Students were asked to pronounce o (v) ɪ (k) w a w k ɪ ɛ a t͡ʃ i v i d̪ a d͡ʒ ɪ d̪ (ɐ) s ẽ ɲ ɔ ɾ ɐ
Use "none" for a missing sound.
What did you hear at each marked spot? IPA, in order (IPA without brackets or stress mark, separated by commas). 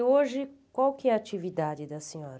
ʒ, k, ɐ